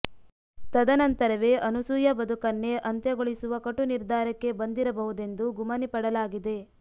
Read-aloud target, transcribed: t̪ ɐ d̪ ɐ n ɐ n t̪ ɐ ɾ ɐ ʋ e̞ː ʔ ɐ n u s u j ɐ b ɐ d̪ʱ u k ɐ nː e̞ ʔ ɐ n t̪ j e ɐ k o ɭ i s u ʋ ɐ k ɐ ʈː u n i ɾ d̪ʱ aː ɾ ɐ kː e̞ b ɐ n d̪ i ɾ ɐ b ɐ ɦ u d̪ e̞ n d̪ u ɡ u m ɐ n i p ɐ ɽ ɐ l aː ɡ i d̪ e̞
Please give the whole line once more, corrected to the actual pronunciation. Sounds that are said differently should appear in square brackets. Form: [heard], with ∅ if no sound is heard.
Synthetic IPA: t̪ ɐ d̪ ɐ n ɐ n t̪ ɐ ɾ ɐ ʋ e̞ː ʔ ɐ n u s u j ɐ b ɐ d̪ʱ u k ɐ nː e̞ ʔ ɐ n t̪ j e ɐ [ɡ] o ɭ i s u ʋ ɐ k ɐ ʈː u n i ɾ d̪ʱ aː ɾ ɐ kː e̞ b ɐ n d̪ i ɾ ɐ b ɐ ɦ u d̪ e̞ n d̪ u ɡ u m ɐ n i p ɐ ɽ ɐ l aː ɡ i d̪ e̞